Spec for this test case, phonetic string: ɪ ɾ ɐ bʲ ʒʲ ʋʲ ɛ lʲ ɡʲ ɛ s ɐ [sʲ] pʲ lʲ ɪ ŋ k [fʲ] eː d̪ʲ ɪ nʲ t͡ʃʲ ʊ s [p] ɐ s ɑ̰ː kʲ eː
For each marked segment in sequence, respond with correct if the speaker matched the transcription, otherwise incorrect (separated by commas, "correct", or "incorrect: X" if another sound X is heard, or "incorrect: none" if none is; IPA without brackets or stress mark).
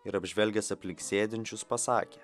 incorrect: none, incorrect: sʲ, correct